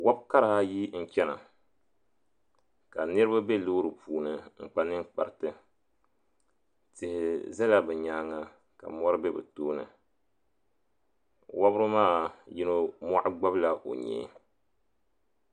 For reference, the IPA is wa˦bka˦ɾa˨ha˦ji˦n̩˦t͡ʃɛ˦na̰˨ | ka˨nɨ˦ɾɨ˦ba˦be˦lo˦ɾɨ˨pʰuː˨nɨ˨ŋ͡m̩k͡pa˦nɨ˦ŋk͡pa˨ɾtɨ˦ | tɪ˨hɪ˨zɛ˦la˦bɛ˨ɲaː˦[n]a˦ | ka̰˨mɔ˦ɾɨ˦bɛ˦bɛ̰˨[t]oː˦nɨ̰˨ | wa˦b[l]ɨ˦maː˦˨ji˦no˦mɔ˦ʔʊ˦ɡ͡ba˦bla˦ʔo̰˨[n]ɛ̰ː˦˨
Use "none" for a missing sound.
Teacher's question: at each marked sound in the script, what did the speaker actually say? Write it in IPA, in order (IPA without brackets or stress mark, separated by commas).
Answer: ŋ, t, ɾ, ɲ